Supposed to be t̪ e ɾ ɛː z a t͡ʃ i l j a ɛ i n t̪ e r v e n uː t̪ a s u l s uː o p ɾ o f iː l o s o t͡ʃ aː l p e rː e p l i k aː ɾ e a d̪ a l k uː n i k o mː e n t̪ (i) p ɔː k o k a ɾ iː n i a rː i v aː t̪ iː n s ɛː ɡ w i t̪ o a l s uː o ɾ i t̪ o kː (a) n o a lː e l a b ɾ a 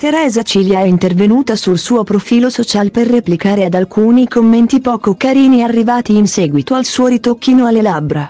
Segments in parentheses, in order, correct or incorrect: correct, incorrect: i

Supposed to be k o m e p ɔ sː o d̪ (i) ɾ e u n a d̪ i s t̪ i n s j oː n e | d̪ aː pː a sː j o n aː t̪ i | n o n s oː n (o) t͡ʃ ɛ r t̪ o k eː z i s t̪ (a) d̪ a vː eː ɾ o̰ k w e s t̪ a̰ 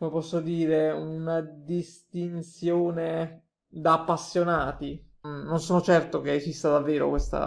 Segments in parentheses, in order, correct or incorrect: incorrect: iː, correct, correct

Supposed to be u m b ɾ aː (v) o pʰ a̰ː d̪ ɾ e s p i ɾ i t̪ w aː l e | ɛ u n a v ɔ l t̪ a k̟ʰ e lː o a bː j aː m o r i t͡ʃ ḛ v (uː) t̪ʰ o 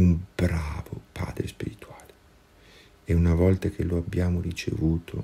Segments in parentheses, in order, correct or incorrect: correct, correct

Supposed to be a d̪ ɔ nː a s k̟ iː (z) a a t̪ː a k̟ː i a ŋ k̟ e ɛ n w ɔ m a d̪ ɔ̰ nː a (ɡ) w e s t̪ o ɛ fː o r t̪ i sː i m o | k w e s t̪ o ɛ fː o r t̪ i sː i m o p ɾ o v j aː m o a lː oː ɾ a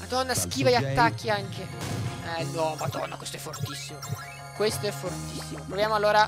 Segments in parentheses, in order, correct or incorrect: incorrect: v, incorrect: k

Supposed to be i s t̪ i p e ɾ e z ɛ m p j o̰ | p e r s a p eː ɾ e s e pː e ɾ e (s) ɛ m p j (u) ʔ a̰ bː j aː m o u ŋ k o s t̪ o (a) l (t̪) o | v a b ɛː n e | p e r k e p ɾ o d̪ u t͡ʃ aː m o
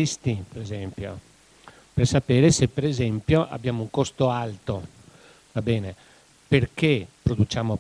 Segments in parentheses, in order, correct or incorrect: incorrect: z, incorrect: o, correct, correct

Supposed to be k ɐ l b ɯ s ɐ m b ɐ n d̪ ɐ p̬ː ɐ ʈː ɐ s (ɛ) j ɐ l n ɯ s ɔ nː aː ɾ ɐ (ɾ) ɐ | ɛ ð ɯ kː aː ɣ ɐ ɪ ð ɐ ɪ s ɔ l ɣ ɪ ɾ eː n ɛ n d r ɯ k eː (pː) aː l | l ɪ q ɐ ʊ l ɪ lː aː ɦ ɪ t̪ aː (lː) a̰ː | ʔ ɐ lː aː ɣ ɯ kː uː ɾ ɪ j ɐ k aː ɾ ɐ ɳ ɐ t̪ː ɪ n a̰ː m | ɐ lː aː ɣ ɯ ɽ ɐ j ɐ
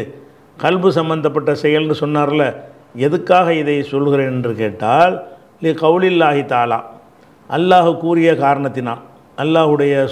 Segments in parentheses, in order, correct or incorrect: correct, incorrect: l, incorrect: ʈː, incorrect: l

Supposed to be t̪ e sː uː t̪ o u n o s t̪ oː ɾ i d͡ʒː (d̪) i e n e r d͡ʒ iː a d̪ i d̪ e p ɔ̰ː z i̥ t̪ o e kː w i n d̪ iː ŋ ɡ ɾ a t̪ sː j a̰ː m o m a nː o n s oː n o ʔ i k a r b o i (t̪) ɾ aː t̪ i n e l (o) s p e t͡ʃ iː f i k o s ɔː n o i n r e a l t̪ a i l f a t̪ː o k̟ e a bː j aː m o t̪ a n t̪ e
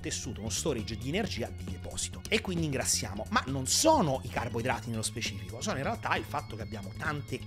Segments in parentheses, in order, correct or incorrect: correct, incorrect: d̪, correct

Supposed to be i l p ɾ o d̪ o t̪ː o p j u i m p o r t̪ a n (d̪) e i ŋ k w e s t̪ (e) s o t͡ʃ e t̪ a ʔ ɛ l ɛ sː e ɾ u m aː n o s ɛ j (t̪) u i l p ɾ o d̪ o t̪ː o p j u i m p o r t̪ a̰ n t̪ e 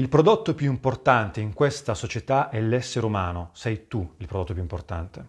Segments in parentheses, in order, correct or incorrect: incorrect: t̪, incorrect: a, correct

